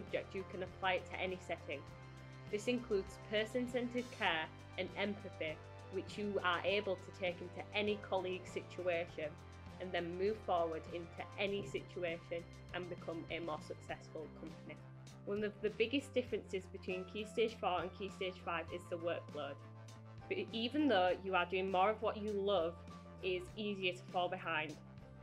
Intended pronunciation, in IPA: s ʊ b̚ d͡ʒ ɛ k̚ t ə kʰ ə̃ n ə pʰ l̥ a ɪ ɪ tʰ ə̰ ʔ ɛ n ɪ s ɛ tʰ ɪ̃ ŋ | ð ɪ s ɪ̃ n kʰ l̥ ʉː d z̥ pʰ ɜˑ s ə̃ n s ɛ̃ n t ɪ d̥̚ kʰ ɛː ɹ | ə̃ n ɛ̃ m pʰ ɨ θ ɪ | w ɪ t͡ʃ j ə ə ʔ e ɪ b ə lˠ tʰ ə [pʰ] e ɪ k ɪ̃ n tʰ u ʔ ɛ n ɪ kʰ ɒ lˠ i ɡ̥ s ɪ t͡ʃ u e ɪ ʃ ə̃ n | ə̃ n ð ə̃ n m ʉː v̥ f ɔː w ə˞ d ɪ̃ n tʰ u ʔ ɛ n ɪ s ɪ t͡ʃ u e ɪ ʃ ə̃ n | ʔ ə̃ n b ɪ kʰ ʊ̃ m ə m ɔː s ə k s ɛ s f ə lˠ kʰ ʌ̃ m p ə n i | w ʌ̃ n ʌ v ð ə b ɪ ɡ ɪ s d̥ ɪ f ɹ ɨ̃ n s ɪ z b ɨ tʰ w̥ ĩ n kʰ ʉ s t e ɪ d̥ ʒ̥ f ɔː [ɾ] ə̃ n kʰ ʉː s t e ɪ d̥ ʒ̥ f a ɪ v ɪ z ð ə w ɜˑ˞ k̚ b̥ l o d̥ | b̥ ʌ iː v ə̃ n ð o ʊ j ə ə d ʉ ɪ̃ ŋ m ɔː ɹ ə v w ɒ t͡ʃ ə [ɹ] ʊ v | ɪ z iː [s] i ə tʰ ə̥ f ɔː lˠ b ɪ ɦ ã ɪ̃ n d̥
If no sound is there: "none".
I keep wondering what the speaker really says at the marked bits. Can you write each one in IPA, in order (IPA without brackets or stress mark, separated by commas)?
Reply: tʰ, ɹ, l, z